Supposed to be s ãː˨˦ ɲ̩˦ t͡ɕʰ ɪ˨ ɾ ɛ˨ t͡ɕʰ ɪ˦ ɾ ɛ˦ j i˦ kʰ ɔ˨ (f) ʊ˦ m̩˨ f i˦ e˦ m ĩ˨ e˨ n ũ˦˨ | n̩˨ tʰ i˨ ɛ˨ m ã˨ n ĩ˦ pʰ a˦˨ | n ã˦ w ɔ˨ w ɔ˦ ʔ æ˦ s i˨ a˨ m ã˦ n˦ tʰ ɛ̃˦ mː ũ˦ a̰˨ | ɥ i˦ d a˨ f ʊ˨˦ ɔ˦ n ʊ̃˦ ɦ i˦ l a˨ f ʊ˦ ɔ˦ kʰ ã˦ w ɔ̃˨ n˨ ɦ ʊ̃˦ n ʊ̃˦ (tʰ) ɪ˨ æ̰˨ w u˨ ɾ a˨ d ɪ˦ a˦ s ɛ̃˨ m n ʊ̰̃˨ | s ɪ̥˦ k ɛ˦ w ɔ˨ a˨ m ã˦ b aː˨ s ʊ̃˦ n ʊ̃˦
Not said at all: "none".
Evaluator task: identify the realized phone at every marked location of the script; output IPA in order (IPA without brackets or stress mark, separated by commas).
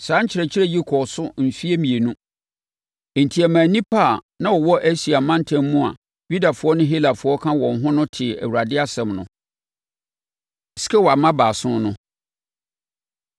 s, tʰ